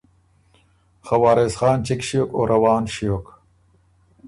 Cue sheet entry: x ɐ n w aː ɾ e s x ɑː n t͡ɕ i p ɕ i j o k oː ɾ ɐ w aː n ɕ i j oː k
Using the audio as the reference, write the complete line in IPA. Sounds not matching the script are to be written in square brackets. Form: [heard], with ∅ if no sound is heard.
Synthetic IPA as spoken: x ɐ [∅] w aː ɾ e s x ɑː n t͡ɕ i [k] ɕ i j o k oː ɾ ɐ w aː n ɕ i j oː k

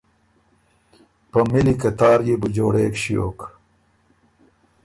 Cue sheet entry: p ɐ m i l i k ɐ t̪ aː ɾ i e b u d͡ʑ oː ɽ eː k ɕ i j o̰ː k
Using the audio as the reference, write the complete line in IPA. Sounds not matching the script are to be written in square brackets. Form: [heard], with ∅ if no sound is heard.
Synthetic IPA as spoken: p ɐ m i l i k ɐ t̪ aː ɾ [j] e b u d͡ʑ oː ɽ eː k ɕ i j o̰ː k

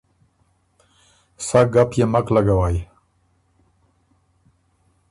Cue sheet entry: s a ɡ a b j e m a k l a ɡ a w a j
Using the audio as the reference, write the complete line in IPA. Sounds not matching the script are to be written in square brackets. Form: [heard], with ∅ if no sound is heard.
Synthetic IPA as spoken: s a ɡ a [p] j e m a k l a ɡ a w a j

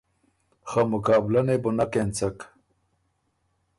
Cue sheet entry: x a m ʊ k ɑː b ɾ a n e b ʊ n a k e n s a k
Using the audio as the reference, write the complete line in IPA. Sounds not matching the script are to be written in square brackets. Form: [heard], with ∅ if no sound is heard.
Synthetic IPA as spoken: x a m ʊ k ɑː b [l] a n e b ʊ n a k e n [t͡s] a k

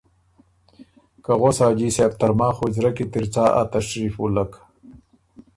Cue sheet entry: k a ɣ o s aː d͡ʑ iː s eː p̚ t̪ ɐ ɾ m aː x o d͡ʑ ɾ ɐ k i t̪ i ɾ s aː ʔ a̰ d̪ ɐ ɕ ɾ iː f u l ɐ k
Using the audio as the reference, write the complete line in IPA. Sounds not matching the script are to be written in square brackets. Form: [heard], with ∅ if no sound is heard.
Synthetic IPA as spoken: k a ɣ o s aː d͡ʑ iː s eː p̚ t̪ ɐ ɾ m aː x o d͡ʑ ɾ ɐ k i t̪ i ɾ [t͡s] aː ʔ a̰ [t̪] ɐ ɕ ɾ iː f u l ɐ k

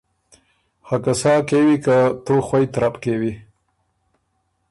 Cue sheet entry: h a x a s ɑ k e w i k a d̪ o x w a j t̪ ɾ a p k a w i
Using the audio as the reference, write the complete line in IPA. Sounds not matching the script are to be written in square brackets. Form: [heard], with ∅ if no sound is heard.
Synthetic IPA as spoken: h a [k] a s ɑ k e w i k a [t̪] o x w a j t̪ ɾ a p k [e] w i

